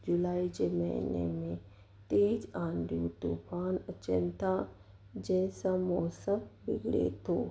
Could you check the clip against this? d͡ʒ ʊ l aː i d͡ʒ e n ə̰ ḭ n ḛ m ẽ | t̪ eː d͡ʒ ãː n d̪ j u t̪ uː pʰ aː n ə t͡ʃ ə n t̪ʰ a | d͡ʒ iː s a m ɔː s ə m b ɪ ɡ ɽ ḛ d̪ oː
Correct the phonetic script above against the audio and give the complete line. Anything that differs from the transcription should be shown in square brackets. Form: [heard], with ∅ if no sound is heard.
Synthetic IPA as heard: d͡ʒ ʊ l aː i d͡ʒ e [m] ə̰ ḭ n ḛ m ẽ | t̪ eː d͡ʒ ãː n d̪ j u t̪ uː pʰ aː n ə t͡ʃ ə n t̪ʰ a | d͡ʒ [ɛː] s a m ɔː s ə m b ɪ ɡ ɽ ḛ [t̪] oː